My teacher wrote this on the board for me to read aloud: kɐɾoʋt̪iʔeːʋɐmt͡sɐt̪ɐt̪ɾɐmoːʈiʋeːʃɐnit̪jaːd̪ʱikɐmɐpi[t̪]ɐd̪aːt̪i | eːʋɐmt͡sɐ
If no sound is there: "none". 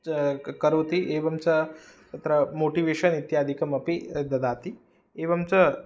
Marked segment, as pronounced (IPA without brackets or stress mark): d̪